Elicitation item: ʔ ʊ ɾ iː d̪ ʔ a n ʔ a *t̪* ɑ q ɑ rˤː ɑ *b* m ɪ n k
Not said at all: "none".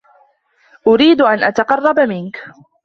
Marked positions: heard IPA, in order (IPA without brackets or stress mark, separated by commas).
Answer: t̪, b